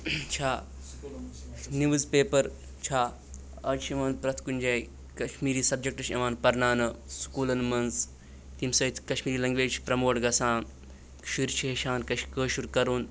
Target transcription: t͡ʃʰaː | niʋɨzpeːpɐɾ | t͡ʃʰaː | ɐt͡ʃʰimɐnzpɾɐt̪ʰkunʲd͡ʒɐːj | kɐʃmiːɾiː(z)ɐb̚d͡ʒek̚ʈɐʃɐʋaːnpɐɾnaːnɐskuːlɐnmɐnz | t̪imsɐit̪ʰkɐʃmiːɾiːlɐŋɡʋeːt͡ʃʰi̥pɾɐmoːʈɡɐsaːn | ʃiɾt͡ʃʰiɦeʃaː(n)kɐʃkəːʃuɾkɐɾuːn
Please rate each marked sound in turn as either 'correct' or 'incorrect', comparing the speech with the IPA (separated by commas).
incorrect, correct